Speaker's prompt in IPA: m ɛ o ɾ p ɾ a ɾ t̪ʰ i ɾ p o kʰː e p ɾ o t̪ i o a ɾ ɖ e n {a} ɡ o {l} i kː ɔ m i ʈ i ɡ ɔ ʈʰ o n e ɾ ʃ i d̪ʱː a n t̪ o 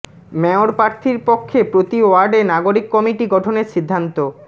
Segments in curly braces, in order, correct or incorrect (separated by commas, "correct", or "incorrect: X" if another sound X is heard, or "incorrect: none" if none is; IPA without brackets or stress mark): correct, incorrect: ɾ